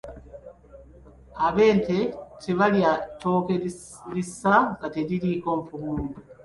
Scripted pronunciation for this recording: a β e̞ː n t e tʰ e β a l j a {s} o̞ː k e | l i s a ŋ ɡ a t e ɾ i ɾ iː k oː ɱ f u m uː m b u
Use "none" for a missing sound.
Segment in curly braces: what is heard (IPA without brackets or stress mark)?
t